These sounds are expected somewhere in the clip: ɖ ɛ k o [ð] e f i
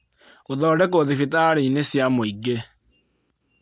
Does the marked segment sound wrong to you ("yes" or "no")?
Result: no